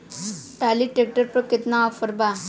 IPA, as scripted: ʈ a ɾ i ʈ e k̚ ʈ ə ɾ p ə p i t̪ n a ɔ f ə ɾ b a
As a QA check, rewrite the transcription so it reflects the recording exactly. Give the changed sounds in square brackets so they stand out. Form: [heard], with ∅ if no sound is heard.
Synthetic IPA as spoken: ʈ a [l] i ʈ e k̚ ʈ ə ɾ p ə [k] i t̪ n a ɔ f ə ɾ b a

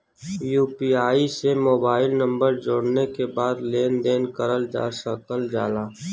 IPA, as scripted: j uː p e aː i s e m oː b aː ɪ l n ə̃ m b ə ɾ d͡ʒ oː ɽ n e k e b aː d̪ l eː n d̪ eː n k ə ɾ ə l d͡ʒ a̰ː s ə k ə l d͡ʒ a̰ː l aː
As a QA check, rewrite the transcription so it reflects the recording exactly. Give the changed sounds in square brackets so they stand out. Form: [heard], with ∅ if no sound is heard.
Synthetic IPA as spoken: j uː p [i] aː i s e m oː b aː ɪ l n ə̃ m b ə ɾ d͡ʒ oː ɽ n e k e b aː d̪ l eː n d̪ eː n k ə ɾ ə l d͡ʒ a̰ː s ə k ə l d͡ʒ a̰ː l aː

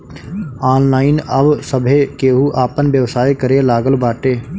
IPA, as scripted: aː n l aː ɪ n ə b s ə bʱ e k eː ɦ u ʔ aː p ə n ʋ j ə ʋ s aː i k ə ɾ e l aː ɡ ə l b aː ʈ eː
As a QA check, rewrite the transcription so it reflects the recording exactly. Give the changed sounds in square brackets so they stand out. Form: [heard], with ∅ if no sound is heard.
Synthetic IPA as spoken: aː n l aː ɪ n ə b s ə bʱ e k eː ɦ u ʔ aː p ə n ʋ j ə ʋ s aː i k ə ɾ e l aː ɡ ə l b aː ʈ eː

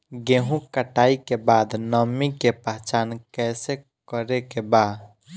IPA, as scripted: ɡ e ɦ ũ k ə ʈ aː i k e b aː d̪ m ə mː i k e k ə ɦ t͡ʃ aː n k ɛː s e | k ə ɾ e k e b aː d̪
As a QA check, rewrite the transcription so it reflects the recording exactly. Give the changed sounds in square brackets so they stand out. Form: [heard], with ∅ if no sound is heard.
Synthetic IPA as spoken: ɡ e ɦ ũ k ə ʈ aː i k e b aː d̪ [n] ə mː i k e [p] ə ɦ t͡ʃ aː n k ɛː s e | k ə ɾ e k e b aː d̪

